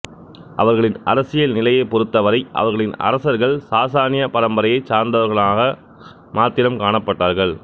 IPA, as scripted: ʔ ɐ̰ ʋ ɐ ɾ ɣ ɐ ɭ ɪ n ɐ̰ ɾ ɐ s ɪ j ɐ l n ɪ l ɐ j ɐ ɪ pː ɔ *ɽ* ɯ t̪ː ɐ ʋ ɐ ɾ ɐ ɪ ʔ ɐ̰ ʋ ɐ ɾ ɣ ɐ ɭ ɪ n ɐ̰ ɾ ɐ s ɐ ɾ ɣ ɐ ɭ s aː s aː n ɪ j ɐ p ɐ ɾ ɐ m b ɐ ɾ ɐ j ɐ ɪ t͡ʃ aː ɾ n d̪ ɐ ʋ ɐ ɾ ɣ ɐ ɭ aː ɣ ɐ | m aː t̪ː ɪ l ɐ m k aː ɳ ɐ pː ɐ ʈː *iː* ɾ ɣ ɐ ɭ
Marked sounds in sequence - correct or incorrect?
incorrect: ɾ, incorrect: aː

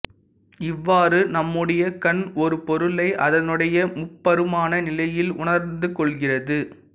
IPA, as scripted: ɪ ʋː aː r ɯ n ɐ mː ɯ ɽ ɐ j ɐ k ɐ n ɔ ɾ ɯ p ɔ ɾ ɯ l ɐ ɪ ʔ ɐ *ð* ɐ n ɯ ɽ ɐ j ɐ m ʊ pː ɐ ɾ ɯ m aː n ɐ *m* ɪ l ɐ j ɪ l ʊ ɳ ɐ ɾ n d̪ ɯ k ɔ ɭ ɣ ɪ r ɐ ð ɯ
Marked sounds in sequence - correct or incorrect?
correct, incorrect: n

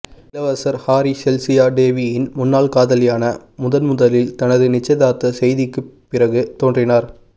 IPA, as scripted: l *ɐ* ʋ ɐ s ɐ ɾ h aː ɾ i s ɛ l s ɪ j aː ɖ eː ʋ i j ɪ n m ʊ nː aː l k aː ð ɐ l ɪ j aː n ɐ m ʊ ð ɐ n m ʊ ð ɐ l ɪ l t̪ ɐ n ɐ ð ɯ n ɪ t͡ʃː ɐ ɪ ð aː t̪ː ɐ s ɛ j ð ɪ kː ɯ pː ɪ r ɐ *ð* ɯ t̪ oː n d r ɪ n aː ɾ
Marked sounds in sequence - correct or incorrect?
correct, incorrect: ɣ

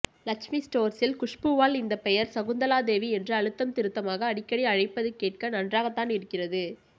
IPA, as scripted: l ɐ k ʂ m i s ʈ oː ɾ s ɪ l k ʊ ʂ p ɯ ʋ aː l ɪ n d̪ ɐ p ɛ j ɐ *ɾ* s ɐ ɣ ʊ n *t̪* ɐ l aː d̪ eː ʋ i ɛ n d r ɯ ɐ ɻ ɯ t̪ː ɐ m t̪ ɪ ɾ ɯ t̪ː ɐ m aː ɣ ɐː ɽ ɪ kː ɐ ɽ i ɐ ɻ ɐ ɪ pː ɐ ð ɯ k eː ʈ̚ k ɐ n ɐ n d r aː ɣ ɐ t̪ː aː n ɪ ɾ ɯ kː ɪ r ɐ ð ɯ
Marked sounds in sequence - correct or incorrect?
correct, incorrect: d̪

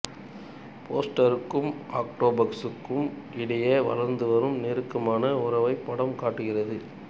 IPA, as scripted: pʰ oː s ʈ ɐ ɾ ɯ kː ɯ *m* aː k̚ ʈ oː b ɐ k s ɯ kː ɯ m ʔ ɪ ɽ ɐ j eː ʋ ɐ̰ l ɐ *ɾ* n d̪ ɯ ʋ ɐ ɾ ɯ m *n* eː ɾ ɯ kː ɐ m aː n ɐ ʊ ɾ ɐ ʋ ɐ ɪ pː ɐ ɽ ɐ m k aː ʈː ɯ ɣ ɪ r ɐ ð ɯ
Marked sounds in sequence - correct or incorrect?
correct, correct, correct

